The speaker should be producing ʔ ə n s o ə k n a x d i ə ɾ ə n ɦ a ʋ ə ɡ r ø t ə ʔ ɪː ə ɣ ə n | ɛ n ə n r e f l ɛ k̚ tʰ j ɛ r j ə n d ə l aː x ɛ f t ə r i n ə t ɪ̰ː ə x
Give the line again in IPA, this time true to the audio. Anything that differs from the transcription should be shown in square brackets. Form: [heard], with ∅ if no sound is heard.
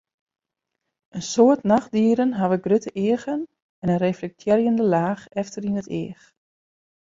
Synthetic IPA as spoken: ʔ ə n s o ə [t] n a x d i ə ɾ ə n ɦ a ʋ ə ɡ r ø t ə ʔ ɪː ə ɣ ə n | ɛ n ə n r e f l ɛ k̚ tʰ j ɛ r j ə n d ə l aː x ɛ f t ə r i n ə t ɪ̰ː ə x